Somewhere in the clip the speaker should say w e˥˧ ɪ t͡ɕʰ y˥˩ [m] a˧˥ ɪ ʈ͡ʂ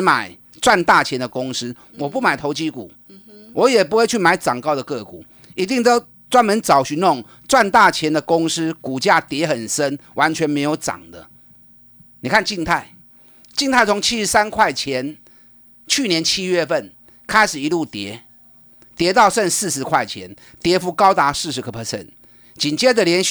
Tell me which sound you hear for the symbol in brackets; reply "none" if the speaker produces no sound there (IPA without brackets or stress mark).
m